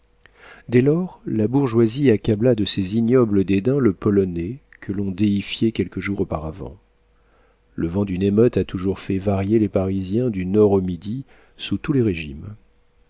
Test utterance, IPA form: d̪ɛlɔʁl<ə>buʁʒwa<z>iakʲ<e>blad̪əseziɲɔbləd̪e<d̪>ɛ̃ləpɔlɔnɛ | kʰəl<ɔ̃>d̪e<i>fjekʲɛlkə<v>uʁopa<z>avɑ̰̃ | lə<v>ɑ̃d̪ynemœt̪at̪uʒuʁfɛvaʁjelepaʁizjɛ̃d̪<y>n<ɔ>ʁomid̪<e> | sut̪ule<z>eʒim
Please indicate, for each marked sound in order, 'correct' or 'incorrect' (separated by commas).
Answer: incorrect, correct, incorrect, correct, correct, correct, incorrect, incorrect, correct, correct, correct, incorrect, incorrect